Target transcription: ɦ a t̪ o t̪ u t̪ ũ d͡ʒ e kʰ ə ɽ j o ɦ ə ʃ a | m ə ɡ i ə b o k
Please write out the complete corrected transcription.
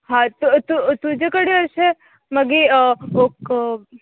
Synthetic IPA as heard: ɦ a t̪ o t̪ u t̪ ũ d͡ʒ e k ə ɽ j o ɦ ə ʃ e | m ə ɡ i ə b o k